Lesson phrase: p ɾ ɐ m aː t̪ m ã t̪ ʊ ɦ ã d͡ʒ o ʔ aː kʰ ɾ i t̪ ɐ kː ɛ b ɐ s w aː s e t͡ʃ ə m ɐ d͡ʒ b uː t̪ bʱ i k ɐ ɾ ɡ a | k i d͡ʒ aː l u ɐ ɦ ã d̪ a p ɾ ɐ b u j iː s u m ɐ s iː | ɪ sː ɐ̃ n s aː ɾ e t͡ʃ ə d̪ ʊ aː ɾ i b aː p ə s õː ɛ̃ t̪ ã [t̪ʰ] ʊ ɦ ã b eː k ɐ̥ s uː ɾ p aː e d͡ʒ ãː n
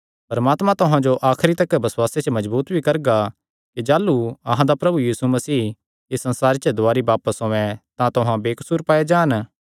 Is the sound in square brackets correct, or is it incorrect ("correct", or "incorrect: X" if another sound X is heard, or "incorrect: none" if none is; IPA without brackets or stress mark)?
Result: incorrect: t̪